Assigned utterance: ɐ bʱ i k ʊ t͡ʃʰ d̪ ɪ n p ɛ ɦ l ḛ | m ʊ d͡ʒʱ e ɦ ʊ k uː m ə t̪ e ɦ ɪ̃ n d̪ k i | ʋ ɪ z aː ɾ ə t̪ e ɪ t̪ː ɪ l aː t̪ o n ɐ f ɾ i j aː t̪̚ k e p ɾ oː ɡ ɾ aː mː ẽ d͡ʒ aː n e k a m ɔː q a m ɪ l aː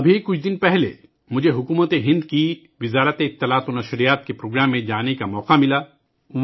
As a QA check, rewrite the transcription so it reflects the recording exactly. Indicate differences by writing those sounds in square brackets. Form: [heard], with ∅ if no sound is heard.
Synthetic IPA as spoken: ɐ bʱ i k ʊ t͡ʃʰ d̪ ɪ n p ɛ ɦ l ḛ | m ʊ d͡ʒʱ e ɦ ʊ k uː m ə t̪ e ɦ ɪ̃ n d̪ k i | ʋ ɪ z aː ɾ ə t̪ e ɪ t̪ː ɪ l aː t̪ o n ɐ [ʃ] ɾ i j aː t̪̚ k e p ɾ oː ɡ ɾ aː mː ẽ d͡ʒ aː n e k a m ɔː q a m ɪ l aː